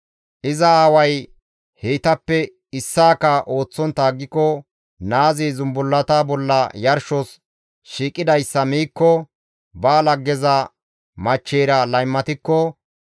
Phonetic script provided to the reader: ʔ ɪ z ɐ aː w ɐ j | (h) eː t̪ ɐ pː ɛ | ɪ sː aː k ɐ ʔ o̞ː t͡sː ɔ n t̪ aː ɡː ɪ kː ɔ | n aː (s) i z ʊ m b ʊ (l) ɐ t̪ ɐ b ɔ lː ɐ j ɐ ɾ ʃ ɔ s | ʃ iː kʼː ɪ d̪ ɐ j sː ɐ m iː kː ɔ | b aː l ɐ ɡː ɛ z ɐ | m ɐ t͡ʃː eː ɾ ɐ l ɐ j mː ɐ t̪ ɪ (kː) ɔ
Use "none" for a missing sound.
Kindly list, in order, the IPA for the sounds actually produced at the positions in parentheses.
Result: h, z, lː, kː

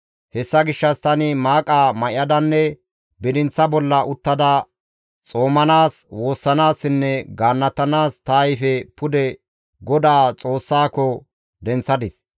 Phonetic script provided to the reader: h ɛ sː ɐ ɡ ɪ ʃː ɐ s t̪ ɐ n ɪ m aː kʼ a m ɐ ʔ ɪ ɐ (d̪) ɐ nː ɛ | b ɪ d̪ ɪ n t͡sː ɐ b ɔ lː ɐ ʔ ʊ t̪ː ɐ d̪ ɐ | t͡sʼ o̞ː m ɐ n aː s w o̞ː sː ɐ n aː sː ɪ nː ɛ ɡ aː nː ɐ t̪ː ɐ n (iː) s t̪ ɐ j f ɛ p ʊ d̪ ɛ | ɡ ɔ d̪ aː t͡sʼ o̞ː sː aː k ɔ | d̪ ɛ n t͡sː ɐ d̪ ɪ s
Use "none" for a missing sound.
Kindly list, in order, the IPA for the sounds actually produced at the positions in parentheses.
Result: d̪, aː

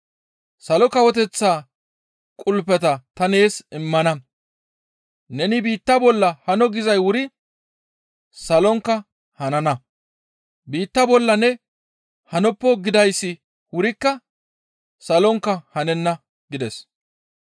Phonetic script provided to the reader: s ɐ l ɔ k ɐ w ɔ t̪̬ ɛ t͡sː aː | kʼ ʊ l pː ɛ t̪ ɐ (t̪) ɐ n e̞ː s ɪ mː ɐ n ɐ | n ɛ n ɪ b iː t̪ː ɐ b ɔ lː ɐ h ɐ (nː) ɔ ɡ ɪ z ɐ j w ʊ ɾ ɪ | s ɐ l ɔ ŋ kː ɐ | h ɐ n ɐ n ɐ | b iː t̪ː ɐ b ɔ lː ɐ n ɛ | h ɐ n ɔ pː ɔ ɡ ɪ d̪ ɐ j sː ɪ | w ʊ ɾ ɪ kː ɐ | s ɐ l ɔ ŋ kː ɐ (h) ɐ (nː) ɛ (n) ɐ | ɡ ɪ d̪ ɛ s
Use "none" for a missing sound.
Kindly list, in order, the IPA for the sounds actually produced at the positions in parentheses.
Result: t̪, n, h, n, nː

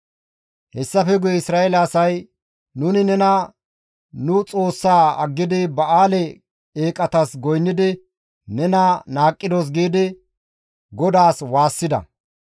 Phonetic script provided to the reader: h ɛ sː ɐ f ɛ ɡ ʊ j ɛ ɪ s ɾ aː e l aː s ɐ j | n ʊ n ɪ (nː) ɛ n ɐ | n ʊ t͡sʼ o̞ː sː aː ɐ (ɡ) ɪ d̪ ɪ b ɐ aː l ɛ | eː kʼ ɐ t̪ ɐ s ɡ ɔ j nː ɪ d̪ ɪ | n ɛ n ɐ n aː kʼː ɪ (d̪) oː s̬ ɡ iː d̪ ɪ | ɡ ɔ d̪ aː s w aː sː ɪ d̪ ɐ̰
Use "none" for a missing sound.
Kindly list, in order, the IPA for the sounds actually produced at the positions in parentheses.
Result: n, ɡː, d̪

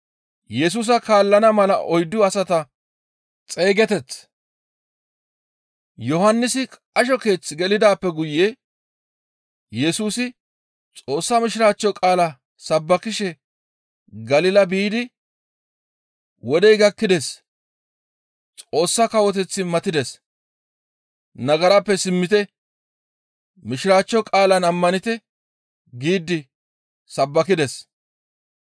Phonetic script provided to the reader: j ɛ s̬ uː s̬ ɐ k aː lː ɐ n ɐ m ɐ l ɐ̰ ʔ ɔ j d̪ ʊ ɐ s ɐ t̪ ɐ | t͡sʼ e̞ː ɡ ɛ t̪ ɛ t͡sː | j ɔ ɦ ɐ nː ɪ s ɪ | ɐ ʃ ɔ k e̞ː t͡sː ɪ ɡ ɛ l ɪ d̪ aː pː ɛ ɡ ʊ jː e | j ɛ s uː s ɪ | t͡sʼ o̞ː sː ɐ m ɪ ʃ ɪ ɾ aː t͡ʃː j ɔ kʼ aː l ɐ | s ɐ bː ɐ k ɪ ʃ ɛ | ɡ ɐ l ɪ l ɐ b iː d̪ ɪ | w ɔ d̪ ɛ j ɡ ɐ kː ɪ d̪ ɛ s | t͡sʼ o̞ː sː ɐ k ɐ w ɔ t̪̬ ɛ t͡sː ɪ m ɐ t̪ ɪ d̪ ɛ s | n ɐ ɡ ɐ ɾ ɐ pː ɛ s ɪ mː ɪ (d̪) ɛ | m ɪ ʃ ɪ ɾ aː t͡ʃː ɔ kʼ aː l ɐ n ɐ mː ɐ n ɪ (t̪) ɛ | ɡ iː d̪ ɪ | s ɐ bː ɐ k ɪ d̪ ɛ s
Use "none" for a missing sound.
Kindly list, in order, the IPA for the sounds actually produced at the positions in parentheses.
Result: t̪, t̪

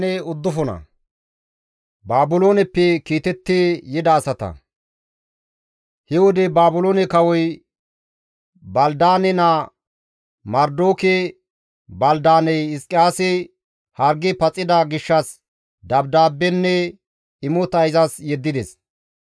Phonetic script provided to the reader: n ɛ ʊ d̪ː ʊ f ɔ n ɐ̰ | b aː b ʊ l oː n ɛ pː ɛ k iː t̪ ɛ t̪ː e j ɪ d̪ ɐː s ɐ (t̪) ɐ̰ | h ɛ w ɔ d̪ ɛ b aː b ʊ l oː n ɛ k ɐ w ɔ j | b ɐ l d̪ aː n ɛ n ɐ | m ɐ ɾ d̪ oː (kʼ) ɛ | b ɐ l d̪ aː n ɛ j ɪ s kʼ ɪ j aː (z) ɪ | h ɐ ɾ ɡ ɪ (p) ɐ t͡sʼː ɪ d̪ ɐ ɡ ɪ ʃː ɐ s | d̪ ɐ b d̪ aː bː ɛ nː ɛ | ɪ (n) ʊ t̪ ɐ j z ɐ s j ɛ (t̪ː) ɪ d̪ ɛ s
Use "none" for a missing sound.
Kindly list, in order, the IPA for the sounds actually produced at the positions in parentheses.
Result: t̪, k, s, p, m, d̪ː

